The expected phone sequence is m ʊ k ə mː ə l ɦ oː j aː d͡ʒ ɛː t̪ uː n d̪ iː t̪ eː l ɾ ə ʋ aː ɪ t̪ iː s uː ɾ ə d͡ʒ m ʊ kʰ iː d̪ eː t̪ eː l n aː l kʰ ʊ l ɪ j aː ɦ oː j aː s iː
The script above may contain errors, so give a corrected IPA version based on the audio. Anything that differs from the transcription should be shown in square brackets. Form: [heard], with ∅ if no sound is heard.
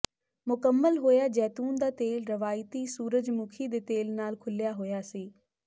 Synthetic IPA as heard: m ʊ k ə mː ə l ɦ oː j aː d͡ʒ ɛː t̪ uː n d̪ [aː] t̪ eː l ɾ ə ʋ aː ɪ t̪ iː s uː ɾ ə d͡ʒ m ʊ kʰ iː d̪ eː t̪ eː l n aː l kʰ ʊ l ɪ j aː ɦ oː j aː s iː